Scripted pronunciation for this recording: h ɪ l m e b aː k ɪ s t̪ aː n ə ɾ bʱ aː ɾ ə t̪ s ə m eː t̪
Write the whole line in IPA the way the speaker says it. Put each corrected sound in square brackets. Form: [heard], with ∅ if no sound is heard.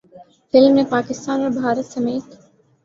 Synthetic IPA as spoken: [f] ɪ l m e [p] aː k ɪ s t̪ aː n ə ɾ bʱ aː ɾ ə t̪ s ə m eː t̪